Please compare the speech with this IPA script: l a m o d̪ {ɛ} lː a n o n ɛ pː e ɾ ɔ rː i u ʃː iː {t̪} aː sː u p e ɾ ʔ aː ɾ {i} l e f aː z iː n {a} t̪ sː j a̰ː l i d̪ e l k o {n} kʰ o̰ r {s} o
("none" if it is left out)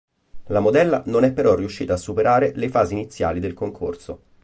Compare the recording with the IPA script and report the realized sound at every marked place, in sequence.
ɛ, t̪, e, i, ŋ, s

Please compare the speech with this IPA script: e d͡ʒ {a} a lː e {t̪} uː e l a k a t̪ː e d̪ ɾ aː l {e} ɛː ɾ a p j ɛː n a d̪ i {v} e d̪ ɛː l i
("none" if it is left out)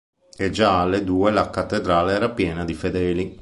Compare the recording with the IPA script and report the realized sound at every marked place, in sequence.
a, d̪, e, f

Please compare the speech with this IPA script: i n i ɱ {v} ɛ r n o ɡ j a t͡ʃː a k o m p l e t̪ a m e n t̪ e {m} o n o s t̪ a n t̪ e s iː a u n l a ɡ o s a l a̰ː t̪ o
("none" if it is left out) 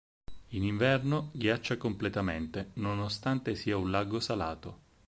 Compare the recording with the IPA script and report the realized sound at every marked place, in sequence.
v, n

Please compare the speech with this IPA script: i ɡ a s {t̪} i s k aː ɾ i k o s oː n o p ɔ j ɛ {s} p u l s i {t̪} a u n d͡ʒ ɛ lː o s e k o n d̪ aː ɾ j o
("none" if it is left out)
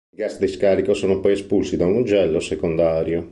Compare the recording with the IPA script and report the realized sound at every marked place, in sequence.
d̪, s, d̪

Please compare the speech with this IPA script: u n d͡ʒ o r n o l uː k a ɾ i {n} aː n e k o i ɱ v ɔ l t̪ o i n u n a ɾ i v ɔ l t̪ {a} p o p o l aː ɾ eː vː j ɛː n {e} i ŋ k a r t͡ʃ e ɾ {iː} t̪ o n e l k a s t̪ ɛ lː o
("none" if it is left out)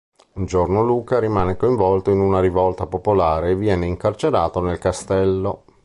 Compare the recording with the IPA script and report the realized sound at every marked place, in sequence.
m, a, e, aː

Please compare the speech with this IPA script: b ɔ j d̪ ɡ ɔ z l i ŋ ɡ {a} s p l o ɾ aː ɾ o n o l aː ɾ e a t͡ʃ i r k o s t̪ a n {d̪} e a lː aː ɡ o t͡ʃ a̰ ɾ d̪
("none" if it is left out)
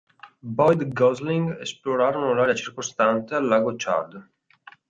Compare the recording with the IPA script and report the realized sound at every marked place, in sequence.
e, t̪

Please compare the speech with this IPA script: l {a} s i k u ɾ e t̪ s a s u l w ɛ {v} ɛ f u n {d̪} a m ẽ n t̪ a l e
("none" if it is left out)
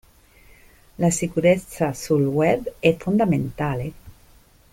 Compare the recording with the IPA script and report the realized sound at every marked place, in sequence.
a, b, d̪

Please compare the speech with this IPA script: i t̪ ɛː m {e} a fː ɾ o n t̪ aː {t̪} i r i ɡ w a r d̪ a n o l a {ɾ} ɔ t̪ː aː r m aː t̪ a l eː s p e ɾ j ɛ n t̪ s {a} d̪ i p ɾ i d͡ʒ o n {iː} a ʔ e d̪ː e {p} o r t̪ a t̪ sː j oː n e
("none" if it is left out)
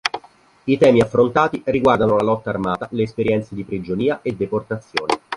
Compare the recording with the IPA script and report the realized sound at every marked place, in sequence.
i, t̪, l, e, iː, p

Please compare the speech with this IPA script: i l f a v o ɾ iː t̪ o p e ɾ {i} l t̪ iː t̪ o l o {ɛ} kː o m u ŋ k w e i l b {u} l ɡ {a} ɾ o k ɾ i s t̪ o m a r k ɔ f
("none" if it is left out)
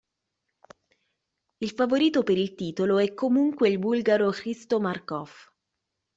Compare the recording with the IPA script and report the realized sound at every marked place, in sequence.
i, ɛ, u, a

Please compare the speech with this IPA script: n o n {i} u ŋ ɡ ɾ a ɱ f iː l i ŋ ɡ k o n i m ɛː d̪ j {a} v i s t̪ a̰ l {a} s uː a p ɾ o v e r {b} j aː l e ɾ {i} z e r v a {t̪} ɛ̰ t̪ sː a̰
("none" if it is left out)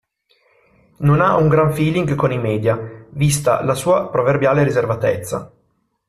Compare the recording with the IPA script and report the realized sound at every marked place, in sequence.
a, a, a, b, i, t̪

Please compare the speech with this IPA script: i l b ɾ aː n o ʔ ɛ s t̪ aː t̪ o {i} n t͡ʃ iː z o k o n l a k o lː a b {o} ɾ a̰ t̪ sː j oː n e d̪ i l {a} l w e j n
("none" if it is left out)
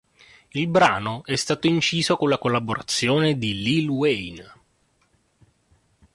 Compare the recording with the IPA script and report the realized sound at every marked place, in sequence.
i, o, i

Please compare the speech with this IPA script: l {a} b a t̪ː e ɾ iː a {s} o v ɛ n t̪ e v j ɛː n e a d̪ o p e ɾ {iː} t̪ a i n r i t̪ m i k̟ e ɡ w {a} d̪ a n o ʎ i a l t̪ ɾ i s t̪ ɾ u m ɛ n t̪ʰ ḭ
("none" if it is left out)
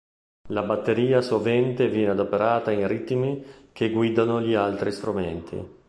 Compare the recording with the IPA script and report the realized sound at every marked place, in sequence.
a, s, aː, i

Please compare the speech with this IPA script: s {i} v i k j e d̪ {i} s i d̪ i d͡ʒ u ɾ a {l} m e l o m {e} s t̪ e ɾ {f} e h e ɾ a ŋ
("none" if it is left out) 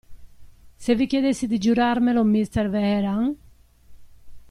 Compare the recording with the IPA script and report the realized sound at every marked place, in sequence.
e, e, ɾ, i, v

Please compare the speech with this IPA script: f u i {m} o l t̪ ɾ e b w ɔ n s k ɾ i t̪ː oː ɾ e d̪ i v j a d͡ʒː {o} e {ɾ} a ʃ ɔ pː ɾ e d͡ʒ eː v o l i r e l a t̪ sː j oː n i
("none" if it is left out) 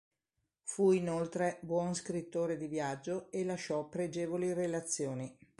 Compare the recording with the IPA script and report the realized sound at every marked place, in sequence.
n, o, l

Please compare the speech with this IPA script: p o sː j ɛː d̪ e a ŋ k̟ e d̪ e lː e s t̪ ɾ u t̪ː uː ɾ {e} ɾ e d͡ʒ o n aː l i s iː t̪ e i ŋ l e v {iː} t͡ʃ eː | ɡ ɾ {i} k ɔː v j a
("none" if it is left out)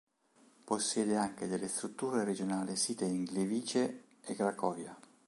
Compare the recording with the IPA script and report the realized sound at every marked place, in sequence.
e, iː, a

